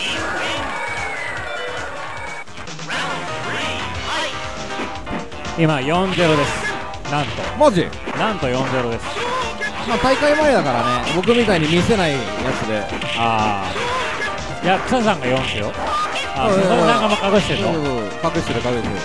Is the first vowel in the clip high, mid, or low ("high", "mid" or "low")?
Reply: high